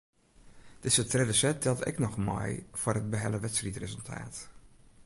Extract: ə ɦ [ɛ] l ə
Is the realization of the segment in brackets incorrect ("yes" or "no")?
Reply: no